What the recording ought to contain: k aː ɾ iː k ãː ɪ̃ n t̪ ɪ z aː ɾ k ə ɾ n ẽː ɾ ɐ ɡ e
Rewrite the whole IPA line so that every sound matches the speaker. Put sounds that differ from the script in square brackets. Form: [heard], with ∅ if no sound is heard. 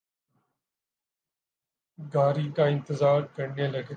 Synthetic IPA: [ɡ] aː ɾ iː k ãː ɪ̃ n t̪ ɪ z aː ɾ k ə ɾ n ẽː [l] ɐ ɡ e

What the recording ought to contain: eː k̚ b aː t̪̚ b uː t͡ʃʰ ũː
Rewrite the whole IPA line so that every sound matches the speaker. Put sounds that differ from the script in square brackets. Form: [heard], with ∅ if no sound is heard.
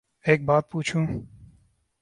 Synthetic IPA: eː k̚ b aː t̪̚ [p] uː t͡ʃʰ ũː

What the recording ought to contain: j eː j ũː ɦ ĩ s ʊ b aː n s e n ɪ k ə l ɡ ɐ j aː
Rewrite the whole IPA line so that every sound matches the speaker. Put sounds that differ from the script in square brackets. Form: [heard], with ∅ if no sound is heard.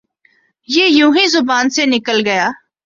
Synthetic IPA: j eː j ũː ɦ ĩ [z] ʊ b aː n s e n ɪ k ə l ɡ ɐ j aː

